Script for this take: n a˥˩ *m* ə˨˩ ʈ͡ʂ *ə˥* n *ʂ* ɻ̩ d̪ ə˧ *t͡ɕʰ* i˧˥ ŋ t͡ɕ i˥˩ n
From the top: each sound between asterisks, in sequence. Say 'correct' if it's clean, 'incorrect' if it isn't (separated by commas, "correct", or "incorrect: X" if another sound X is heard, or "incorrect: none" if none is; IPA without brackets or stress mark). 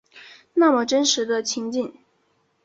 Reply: correct, correct, correct, correct